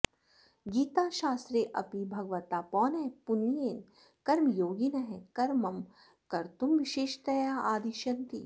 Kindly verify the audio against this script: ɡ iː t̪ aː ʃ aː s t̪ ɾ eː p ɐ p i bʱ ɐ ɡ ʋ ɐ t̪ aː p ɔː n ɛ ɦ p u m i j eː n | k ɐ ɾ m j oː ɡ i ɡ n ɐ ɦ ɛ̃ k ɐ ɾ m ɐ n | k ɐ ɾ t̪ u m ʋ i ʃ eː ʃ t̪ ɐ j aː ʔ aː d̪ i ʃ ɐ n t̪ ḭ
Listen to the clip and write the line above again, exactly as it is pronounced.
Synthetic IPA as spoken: ɡ iː t̪ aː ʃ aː s t̪ ɾ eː ʔ ɐ p i bʱ ɐ ɡ ʋ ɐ t̪ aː p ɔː n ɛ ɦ p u n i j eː n | k ɐ ɾ m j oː ɡ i n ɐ ɦ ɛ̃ k ɐ ɾ m ɐ m | k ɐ ɾ t̪ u m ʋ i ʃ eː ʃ t̪ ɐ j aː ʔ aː d̪ i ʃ ɐ n t̪ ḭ